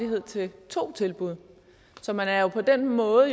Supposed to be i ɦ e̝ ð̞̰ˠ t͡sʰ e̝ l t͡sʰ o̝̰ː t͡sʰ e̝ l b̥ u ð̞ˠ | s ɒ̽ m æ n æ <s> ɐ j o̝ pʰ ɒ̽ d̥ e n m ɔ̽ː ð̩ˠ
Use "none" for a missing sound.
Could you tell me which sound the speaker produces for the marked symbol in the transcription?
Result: none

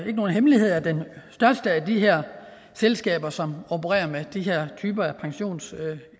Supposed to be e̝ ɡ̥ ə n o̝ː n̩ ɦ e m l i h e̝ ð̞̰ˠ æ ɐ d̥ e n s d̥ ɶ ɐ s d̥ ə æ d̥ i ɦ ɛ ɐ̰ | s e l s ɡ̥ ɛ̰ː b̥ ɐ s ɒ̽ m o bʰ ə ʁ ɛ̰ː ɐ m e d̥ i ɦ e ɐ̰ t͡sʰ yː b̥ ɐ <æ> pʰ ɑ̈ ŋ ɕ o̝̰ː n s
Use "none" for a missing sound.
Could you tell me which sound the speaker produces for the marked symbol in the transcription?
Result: æ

